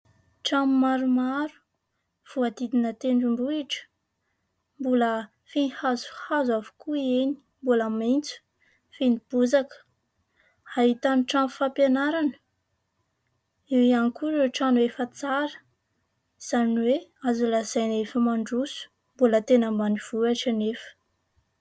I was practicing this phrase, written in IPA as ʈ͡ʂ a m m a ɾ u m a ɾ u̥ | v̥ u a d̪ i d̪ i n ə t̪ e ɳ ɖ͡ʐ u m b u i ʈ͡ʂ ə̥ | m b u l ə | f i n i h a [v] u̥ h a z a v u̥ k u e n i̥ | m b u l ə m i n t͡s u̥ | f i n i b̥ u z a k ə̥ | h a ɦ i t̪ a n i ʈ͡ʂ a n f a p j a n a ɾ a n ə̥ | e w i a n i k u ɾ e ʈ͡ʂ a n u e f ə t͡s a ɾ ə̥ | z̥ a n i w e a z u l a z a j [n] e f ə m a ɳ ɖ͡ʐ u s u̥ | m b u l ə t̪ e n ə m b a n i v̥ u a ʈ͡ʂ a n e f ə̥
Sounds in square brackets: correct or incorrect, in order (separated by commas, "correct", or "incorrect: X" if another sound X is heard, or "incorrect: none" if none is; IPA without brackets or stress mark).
incorrect: z, correct